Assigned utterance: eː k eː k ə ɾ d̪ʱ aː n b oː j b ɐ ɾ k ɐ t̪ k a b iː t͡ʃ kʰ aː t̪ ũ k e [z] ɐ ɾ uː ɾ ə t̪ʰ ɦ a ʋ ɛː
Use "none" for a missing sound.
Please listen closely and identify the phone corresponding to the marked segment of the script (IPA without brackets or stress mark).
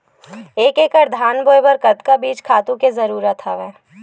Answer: z